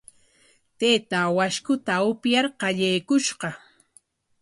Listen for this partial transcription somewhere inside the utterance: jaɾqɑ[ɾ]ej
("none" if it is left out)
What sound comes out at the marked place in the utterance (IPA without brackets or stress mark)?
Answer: ʎ